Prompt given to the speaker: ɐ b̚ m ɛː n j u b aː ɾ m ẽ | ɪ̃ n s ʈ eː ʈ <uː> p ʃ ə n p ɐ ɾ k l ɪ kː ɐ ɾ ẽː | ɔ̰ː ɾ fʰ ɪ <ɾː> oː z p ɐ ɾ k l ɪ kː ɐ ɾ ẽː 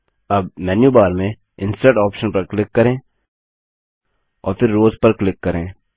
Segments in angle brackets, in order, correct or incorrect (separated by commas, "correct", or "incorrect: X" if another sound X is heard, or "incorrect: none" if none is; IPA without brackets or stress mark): incorrect: ɔː, correct